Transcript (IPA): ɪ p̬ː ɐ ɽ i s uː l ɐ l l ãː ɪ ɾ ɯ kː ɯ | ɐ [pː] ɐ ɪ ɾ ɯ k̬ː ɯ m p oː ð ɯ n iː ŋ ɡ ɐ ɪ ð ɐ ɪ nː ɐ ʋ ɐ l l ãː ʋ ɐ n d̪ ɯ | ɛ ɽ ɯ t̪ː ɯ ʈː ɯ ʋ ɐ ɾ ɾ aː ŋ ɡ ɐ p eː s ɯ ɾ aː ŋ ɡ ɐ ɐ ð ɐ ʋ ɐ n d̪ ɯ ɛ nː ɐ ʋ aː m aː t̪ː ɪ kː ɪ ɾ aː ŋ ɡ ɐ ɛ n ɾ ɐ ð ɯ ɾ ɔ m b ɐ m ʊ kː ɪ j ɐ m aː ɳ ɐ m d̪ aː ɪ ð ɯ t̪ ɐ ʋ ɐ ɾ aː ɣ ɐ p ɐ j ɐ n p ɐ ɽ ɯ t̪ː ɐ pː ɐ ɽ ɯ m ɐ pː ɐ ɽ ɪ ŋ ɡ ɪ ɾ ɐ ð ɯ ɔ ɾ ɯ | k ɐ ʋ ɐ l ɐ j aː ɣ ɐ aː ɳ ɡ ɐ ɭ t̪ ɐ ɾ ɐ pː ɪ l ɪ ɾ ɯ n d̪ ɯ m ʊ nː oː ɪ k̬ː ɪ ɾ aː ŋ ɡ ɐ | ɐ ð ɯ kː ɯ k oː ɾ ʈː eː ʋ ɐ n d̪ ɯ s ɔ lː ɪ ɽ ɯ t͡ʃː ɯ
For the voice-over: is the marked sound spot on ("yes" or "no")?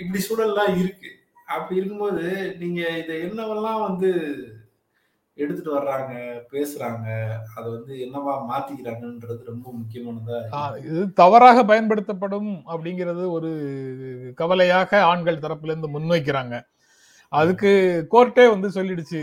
yes